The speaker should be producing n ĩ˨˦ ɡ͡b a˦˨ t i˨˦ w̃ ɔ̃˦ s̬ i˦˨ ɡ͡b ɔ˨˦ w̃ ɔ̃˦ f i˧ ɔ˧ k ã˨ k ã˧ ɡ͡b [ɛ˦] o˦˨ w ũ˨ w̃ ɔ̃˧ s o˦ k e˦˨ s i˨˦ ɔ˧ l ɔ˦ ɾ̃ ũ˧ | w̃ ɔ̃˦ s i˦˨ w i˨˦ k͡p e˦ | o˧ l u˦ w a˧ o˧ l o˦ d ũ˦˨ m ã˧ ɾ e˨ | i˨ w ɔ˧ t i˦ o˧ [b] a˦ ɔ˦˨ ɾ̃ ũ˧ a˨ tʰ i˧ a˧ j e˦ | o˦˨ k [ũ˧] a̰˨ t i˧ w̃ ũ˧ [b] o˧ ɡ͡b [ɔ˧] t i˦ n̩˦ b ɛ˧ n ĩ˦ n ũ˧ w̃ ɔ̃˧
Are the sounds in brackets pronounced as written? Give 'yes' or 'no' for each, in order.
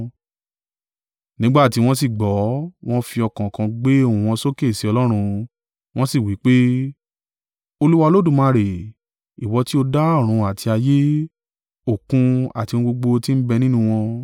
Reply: no, no, yes, no, no

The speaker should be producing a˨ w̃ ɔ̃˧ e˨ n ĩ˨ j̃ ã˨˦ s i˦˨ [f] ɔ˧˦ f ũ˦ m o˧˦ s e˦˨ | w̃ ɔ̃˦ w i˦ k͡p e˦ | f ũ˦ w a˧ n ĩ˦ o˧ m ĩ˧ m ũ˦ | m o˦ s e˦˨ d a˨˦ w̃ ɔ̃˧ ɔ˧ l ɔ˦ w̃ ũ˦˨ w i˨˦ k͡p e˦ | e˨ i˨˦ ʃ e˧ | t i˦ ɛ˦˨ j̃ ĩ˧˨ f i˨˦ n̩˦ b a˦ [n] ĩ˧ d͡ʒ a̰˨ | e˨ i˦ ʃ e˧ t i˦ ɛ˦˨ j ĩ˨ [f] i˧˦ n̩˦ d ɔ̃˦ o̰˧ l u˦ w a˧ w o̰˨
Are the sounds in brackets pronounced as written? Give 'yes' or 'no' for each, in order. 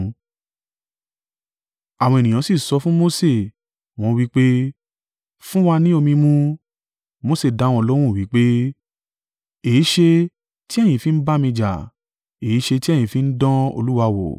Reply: no, no, yes

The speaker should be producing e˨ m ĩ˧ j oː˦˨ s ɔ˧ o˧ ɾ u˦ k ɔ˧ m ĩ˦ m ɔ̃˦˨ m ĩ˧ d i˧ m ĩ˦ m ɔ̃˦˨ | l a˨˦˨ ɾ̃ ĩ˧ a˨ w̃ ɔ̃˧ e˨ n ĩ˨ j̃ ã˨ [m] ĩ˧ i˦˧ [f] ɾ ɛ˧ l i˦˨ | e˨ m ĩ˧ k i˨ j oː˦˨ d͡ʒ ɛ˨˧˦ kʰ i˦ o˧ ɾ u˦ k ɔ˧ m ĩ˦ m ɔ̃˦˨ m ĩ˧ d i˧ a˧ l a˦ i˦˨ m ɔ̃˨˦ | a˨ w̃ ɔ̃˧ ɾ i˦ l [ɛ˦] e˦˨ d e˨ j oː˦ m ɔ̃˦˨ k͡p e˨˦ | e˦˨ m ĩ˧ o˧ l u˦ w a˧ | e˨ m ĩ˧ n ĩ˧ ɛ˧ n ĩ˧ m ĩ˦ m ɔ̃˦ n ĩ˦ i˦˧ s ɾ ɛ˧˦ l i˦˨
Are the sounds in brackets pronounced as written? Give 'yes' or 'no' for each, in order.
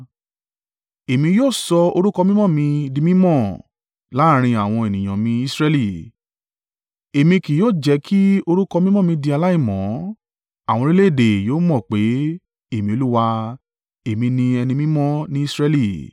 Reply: yes, no, no

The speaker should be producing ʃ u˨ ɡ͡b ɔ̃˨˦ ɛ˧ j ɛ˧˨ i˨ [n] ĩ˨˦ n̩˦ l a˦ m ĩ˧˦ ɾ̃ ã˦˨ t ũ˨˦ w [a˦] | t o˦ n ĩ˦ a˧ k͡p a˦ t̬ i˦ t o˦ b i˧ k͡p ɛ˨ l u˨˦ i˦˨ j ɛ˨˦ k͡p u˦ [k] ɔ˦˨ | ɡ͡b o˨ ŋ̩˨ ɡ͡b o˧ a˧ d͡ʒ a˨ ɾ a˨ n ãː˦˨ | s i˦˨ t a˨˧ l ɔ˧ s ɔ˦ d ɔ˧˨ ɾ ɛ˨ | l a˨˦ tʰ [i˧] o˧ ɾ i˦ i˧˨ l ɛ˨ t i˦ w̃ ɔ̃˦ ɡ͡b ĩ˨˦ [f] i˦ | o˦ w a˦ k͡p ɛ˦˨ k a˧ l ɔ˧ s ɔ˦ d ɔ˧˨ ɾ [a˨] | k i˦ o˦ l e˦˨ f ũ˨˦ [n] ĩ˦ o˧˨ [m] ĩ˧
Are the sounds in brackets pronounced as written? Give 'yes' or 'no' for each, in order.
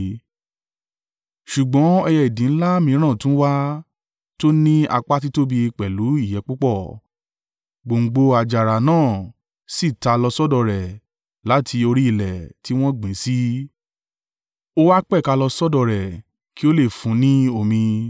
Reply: no, yes, no, yes, no, no, yes, yes

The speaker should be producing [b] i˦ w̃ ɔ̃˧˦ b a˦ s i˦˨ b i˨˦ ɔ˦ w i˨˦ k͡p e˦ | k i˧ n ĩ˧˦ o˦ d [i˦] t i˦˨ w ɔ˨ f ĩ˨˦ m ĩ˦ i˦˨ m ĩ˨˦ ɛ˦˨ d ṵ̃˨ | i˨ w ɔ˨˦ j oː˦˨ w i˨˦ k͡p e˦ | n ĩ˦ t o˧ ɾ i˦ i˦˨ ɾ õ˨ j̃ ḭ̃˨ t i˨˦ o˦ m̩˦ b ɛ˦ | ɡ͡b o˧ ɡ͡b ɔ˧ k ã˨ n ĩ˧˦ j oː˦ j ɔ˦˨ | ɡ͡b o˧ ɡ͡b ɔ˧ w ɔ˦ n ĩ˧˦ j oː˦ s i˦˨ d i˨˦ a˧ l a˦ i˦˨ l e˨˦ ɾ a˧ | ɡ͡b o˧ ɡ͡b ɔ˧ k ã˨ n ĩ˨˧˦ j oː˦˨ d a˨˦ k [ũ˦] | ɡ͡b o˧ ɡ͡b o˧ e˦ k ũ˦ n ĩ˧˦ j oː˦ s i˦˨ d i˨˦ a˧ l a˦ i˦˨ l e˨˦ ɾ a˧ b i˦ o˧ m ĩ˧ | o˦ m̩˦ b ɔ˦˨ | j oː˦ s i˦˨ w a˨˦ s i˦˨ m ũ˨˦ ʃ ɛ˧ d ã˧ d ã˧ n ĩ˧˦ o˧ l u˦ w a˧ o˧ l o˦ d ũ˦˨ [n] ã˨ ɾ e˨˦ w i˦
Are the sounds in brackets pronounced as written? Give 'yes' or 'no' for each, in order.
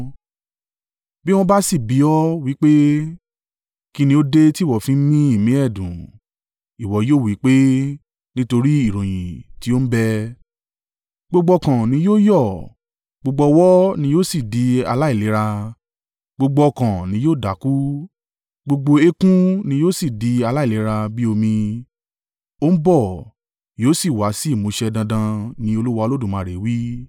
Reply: yes, no, no, no

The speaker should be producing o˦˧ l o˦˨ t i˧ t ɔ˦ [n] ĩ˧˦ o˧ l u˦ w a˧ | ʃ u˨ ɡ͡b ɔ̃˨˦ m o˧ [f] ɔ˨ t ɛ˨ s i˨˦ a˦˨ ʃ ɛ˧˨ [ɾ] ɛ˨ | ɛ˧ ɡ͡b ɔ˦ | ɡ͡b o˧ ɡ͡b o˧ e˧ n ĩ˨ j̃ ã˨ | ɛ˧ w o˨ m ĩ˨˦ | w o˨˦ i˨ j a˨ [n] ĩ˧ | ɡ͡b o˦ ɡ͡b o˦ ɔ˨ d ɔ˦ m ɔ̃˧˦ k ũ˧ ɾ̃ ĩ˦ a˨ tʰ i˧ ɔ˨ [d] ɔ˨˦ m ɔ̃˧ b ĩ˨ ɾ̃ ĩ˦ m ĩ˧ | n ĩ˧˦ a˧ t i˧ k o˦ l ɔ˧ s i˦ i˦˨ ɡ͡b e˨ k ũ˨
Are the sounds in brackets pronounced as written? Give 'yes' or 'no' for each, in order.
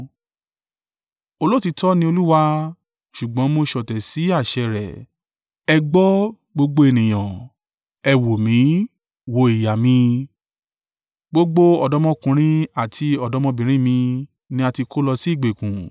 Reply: yes, no, yes, no, yes

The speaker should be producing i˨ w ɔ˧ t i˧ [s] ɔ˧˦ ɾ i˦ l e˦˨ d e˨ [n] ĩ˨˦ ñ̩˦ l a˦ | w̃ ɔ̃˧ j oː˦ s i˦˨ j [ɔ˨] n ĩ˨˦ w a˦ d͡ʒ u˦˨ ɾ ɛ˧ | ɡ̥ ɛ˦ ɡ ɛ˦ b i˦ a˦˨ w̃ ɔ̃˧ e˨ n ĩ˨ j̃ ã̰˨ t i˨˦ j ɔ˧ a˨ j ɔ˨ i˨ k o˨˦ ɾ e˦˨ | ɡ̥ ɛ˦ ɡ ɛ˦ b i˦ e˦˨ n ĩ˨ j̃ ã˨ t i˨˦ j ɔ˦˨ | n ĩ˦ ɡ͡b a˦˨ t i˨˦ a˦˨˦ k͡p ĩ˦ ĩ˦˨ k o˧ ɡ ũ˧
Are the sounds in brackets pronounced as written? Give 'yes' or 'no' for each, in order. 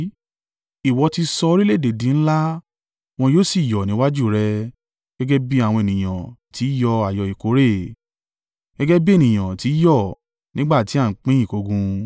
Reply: yes, no, yes

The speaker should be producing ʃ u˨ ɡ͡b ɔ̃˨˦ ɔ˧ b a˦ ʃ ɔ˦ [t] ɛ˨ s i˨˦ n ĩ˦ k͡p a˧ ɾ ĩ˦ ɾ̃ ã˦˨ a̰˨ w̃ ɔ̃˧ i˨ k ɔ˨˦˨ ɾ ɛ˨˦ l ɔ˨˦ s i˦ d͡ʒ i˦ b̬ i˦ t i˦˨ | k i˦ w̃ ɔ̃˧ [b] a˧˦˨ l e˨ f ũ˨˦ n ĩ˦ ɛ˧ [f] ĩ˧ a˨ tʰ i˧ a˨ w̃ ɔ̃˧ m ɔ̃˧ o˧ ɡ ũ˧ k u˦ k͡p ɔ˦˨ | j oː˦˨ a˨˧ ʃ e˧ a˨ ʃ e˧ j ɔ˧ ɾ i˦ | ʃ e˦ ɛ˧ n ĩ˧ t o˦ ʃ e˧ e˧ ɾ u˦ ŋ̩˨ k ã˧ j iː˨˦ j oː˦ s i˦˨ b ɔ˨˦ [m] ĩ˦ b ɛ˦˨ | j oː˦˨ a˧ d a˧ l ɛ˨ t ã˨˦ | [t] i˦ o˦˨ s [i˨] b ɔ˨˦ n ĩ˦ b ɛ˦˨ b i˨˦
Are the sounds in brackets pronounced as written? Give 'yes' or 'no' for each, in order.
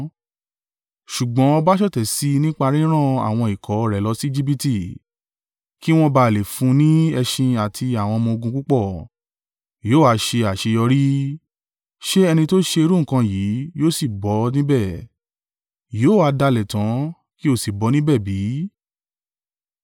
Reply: yes, yes, no, no, no, yes

